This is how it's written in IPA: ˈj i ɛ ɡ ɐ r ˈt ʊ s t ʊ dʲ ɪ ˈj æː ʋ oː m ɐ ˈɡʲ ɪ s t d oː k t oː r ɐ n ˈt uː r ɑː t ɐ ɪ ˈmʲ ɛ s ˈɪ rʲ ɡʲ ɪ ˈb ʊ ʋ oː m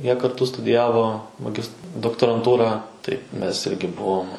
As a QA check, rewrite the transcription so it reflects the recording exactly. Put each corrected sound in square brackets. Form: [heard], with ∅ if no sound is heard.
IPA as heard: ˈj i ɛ [k] ɐ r ˈt ʊ s t ʊ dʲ ɪ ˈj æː ʋ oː m ɐ ˈɡʲ ɪ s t d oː k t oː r ɐ n ˈt uː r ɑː t ɐ ɪ ˈmʲ ɛ s ˈɪ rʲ ɡʲ ɪ ˈb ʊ ʋ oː m